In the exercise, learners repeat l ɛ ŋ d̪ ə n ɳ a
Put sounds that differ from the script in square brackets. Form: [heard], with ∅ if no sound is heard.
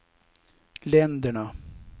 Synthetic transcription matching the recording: l ɛ [n] d̪ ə [∅] ɳ a